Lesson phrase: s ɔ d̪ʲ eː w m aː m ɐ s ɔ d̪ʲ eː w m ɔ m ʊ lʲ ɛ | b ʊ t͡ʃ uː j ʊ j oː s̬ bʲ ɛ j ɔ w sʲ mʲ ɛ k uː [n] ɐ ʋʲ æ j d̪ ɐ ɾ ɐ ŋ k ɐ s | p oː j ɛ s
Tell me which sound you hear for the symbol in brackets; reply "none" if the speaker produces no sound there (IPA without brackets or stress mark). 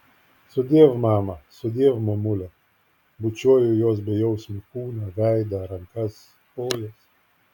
n